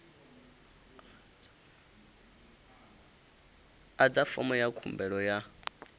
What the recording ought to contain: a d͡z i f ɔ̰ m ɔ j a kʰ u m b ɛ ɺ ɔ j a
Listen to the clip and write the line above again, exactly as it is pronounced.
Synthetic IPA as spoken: a d͡z a f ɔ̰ m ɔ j a kʰ u m b ɛ ɺ ɔ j a